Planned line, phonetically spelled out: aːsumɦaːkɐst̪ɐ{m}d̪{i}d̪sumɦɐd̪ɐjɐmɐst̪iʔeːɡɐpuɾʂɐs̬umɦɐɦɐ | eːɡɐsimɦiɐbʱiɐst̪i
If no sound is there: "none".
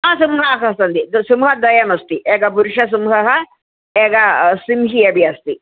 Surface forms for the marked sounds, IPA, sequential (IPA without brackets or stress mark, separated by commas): n, i